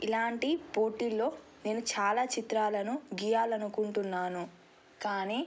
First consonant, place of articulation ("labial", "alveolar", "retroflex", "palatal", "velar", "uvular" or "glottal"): alveolar